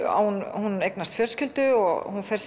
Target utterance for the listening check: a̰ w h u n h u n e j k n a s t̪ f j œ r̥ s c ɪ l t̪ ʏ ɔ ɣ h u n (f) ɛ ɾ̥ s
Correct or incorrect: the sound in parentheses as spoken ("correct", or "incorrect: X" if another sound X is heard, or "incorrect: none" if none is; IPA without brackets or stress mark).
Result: correct